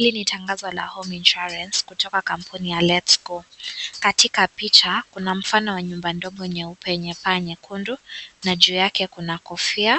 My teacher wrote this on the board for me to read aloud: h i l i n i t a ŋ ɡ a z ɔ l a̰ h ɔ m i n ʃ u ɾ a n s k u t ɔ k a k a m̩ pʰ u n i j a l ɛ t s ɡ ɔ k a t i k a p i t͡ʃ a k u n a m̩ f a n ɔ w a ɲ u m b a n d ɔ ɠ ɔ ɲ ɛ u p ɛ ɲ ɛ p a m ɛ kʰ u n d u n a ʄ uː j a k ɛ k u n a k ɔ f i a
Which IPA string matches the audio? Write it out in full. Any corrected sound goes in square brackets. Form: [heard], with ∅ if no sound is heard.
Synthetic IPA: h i l i n i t a ŋ ɡ a z ɔ l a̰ h ɔ m i n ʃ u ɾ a n s k u t ɔ k a k a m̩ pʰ u n i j a l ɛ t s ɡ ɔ k a t i k a p i t͡ʃ a k u n a m̩ f a n ɔ w a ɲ u m b a n d ɔ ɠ ɔ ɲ ɛ u p ɛ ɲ ɛ p a [ɲ] ɛ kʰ u n d u n a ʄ uː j a k ɛ k u n a k ɔ f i a